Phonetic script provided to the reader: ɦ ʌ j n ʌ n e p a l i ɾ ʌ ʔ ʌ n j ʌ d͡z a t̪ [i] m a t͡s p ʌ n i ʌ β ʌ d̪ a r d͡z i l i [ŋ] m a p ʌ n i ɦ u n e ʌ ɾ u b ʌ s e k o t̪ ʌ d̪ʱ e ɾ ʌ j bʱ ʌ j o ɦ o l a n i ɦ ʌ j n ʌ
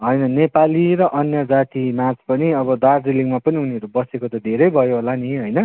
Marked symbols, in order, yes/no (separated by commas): yes, yes